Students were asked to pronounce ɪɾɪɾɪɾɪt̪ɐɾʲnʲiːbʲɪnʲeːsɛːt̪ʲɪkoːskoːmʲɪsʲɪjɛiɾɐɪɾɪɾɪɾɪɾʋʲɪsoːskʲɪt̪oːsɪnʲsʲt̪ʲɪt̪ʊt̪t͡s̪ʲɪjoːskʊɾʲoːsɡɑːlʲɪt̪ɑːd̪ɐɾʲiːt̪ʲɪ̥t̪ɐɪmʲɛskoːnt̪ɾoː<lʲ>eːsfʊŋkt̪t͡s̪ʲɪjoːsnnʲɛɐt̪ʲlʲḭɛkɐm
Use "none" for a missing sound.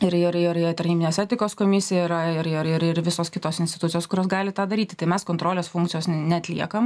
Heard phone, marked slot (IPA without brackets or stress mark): lʲ